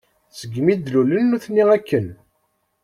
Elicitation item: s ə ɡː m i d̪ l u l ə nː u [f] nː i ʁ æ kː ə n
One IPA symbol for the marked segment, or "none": θ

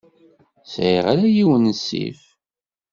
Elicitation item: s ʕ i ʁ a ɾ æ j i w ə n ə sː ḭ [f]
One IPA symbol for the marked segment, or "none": f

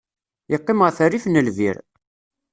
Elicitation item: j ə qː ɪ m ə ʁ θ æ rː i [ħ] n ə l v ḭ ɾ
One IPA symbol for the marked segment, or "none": f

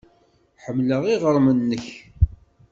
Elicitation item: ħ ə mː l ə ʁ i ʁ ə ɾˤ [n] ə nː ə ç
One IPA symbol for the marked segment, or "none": m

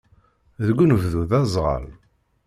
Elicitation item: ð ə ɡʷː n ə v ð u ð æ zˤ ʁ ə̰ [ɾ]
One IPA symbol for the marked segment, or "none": l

